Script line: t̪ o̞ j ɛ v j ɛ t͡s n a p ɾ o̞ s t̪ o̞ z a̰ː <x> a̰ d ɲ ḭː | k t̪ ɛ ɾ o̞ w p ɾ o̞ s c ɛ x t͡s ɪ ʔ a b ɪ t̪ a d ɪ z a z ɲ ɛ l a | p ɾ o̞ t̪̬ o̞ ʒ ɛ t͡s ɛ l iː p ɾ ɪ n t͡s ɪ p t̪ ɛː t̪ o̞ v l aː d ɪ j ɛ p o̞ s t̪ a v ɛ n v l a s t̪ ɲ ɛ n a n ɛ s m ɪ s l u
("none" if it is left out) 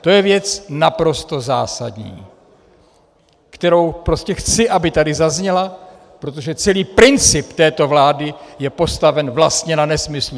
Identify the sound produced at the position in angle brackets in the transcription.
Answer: s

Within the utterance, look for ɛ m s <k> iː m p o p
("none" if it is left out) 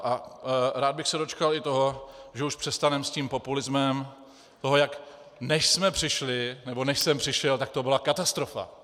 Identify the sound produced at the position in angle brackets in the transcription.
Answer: c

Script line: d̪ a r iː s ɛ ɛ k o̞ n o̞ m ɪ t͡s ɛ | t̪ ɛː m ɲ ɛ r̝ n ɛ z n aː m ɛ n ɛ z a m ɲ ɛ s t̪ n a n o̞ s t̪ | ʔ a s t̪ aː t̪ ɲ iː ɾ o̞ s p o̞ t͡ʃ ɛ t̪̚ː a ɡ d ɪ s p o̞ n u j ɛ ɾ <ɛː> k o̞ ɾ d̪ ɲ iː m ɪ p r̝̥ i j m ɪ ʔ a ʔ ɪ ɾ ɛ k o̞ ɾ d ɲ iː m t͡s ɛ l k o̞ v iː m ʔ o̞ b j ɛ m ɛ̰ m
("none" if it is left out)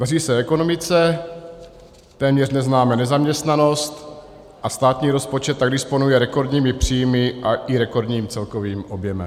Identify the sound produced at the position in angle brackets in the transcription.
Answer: ɛ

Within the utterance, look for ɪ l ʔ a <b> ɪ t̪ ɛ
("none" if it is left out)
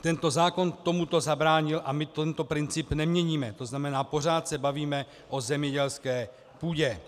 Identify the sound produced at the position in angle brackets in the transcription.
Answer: m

